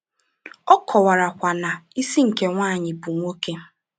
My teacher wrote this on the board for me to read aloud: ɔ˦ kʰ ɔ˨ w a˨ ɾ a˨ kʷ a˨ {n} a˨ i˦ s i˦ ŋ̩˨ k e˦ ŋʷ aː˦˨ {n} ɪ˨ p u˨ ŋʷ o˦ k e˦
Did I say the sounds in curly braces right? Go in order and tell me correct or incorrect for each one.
correct, incorrect

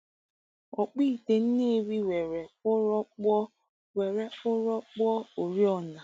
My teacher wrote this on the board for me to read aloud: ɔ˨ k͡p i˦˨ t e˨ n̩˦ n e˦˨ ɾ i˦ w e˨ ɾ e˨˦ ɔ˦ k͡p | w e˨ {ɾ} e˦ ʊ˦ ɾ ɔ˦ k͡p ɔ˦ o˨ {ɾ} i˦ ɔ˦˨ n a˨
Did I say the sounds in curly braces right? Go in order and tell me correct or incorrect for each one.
correct, correct

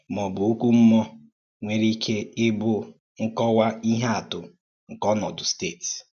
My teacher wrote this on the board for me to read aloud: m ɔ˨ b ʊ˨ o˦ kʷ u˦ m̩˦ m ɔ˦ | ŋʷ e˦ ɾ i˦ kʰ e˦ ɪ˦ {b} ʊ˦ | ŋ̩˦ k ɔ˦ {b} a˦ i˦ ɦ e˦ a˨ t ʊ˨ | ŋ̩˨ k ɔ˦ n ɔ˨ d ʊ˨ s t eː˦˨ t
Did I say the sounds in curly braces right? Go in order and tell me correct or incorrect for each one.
correct, incorrect

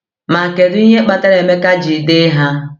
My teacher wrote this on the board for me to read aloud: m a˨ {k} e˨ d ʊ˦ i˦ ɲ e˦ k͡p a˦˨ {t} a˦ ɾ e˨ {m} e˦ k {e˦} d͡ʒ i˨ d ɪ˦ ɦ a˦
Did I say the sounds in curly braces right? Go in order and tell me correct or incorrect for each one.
correct, correct, correct, incorrect

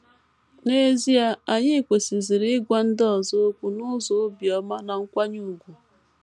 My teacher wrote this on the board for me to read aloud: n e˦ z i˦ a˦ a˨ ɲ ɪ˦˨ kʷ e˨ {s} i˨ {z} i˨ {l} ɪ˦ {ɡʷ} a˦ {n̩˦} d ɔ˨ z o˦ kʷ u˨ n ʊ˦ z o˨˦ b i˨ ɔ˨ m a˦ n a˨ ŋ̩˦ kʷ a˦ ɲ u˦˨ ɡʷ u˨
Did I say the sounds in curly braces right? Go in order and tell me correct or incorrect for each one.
correct, correct, incorrect, correct, correct

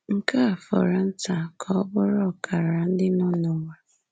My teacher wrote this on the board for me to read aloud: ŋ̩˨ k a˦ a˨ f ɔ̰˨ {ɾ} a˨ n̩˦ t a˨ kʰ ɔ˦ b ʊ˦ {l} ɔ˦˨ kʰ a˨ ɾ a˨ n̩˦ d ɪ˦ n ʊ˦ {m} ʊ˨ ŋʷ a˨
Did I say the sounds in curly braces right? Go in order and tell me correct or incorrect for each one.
correct, incorrect, incorrect

